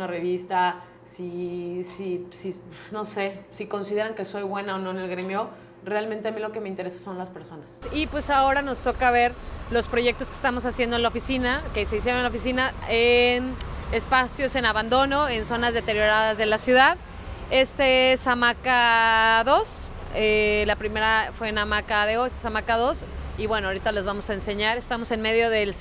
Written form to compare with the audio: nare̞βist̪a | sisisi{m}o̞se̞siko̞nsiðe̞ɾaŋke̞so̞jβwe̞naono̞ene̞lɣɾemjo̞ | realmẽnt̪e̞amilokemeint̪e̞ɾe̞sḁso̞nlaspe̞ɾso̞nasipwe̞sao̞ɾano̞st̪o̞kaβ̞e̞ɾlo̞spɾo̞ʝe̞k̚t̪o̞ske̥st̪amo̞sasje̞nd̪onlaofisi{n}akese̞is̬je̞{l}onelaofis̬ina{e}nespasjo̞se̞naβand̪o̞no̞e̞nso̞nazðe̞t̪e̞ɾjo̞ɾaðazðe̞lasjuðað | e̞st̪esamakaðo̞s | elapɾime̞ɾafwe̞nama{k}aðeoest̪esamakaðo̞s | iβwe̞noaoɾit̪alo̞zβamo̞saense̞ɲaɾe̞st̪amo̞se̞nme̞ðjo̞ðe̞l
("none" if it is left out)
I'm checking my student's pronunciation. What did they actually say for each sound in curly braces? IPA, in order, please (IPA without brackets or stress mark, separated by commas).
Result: n, n, ɾ, e, k